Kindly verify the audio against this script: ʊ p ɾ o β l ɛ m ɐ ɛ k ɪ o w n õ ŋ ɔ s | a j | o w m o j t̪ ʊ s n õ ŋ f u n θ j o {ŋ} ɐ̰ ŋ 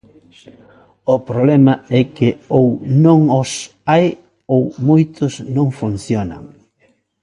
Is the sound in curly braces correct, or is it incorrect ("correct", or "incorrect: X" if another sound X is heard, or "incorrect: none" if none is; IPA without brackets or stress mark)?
incorrect: n